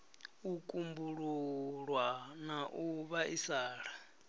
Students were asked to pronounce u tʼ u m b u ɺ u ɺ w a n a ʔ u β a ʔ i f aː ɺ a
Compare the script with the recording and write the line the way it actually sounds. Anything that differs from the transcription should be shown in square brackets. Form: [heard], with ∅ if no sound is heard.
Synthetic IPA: u [kʼ] u m b u ɺ u ɺ w a n a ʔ u β a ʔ i [s] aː ɺ a